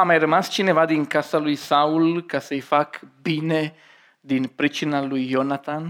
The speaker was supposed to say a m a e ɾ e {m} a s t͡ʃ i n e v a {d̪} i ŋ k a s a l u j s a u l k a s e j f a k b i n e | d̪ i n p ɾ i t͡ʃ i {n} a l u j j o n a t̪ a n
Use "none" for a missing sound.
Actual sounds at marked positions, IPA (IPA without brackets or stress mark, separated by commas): m, d̪, n